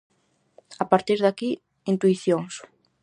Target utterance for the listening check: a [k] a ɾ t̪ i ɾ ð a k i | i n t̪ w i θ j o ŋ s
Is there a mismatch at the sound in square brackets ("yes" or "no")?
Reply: yes